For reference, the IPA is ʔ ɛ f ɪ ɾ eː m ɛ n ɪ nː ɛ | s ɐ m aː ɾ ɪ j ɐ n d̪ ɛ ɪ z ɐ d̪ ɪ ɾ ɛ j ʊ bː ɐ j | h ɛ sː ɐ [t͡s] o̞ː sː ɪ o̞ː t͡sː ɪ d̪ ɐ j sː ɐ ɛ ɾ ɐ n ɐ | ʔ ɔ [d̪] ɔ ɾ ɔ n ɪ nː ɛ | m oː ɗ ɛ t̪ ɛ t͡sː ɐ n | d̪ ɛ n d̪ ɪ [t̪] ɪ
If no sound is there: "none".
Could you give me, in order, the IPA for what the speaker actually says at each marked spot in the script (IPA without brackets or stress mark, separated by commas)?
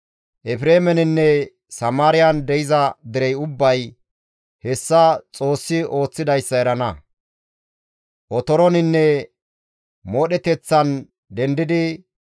t͡sʼ, t̪, d̪